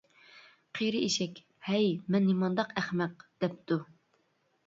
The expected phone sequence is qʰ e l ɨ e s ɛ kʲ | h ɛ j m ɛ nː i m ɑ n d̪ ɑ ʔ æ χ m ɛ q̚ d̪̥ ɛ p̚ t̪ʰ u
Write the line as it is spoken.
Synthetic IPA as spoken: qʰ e ɾ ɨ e ʃ ɛ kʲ | h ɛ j m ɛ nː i m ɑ n d̪ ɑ q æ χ m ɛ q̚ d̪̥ ɛ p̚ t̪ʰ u